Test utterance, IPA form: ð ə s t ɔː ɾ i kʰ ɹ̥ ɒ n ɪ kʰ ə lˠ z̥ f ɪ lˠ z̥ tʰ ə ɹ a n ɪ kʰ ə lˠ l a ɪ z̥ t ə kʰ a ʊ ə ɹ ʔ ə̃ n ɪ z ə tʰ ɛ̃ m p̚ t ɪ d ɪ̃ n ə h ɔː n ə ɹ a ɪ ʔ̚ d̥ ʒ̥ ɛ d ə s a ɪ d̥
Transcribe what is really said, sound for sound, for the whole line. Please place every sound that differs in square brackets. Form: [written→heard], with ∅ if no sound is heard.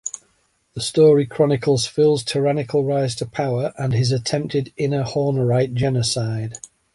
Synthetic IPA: ð ə s t ɔː [ɾ→ɹ] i kʰ ɹ̥ ɒ n ɪ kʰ ə lˠ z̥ f ɪ lˠ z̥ tʰ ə ɹ a n ɪ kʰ ə lˠ [l→ɹ] a ɪ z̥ [t→tʰ] ə [kʰ→pʰ] a ʊ ə ɹ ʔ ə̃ n ɪ z ə tʰ ɛ̃ m p̚ t ɪ d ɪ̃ n ə h ɔː n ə ɹ a ɪ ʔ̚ d̥ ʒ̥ ɛ [d→n] ə s a ɪ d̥